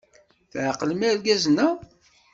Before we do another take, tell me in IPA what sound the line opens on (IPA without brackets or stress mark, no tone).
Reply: θ